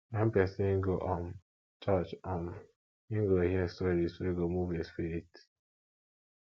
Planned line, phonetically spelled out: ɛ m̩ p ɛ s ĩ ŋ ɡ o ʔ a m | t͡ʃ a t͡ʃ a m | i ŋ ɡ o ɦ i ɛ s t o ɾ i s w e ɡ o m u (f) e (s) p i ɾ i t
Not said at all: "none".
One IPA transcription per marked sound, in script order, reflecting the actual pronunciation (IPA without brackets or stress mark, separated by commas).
v, s